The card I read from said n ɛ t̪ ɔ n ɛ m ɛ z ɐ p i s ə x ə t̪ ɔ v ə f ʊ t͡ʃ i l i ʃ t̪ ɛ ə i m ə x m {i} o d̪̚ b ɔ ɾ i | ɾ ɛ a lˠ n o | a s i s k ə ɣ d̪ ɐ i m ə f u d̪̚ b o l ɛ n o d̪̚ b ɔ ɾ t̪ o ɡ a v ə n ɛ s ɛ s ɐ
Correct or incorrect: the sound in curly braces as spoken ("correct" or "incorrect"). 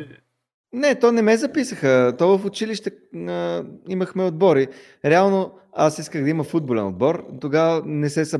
incorrect